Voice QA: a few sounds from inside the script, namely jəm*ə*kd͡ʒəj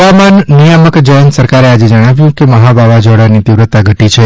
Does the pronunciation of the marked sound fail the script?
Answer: no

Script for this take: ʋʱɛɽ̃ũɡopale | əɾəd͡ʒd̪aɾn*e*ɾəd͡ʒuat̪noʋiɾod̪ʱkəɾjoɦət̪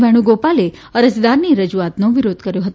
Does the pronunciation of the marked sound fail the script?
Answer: yes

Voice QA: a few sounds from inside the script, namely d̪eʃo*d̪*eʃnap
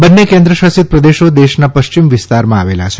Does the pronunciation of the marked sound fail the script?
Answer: no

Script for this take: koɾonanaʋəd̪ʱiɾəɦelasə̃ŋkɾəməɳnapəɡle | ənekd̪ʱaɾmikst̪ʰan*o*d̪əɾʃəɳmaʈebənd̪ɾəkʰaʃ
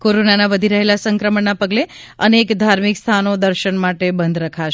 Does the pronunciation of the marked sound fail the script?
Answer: no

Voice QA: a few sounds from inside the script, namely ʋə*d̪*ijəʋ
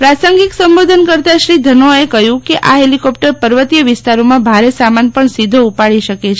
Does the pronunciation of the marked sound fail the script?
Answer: yes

